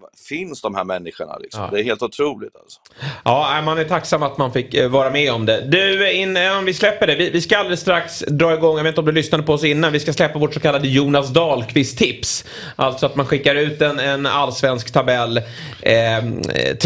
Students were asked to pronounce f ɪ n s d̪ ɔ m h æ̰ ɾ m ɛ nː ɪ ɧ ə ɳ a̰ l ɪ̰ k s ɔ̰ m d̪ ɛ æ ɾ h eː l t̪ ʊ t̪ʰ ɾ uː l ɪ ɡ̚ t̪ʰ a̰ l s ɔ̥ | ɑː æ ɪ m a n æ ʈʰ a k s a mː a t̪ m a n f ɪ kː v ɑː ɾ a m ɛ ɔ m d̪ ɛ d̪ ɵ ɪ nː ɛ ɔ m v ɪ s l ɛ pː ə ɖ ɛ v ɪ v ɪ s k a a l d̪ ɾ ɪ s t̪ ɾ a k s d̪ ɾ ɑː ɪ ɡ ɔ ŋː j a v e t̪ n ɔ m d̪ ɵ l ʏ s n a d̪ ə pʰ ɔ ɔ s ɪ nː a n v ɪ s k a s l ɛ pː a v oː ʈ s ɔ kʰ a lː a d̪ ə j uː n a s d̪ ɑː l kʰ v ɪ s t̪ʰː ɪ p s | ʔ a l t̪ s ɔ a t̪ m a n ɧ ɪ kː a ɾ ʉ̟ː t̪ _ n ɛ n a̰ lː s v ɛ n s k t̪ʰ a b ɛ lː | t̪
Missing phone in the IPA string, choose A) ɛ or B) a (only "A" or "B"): A